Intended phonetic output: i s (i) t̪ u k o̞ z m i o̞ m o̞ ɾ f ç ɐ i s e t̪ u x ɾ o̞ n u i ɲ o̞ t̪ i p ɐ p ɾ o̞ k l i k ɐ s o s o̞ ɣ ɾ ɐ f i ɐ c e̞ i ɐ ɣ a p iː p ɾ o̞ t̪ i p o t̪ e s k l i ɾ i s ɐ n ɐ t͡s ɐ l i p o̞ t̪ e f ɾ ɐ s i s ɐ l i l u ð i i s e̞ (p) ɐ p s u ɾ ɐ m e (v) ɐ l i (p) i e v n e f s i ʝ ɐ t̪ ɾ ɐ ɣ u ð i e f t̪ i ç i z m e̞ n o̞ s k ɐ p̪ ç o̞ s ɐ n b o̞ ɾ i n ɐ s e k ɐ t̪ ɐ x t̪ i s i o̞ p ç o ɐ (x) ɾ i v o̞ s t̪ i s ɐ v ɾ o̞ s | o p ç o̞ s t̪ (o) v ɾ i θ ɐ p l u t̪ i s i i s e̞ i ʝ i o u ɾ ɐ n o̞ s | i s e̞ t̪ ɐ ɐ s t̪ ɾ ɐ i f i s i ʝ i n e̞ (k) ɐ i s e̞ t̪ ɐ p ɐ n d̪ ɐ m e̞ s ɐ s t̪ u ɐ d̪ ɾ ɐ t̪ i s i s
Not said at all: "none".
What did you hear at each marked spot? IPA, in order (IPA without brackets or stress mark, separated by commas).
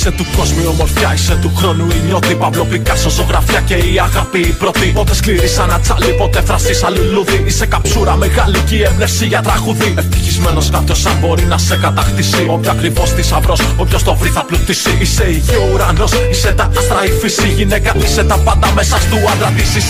e, k, ɣ, c, k, o, k